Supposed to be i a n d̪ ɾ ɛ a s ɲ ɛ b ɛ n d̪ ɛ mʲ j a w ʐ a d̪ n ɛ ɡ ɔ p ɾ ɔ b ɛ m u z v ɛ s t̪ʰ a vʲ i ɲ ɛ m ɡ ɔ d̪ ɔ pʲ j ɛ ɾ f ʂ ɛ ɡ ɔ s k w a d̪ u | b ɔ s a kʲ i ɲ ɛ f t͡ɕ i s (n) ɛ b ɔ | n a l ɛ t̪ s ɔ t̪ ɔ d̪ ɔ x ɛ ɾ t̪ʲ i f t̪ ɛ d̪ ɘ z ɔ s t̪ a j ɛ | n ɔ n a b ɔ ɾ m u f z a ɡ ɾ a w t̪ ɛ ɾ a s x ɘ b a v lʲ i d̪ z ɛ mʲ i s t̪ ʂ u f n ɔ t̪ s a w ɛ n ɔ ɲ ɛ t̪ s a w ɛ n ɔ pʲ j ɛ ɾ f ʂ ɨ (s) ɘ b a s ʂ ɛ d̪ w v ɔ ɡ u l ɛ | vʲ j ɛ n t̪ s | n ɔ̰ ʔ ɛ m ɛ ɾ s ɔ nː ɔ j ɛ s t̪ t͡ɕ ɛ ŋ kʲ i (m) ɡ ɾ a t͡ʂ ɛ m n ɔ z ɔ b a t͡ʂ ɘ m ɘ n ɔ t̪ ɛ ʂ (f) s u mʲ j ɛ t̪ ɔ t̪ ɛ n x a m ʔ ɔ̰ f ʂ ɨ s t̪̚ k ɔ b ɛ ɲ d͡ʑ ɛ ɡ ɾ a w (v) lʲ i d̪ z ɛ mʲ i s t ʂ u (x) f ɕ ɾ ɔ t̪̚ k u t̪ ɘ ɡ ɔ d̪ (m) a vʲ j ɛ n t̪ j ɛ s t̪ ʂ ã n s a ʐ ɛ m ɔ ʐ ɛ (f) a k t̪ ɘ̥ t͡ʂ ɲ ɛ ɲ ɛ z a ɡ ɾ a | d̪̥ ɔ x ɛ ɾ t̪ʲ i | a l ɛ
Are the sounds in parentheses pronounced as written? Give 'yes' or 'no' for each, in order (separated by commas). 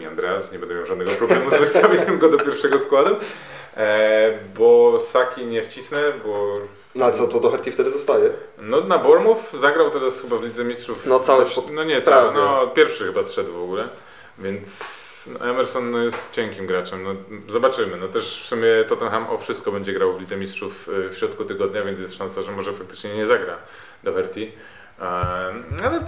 yes, no, yes, yes, yes, no, no, yes